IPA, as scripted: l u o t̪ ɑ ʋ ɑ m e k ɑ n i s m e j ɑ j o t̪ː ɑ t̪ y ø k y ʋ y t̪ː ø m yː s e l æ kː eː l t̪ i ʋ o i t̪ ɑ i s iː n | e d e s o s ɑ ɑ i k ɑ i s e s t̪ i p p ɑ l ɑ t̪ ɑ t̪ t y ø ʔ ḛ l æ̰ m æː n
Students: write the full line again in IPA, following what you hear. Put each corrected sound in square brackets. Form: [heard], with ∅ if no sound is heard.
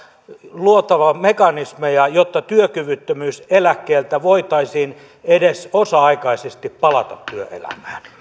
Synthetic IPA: l u o t̪ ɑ ʋ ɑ m e k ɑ n i s m e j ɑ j o t̪ː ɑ t̪ y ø k y ʋ y t̪ː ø m yː s e l æ kː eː l t̪ [æ] ʋ o i t̪ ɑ i s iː n | e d e s o s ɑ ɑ i k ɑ i s e s t̪ i p p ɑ l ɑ t̪ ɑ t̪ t y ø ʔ ḛ l æ̰ m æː n